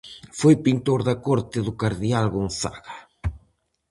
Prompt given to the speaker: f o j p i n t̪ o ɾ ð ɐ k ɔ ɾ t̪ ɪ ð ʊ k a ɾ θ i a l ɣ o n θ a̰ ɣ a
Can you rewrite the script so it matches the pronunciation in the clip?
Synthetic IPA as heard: f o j p i n t̪ o ɾ ð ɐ k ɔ ɾ t̪ ɪ ð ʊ k a ɾ ð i a l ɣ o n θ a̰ ɣ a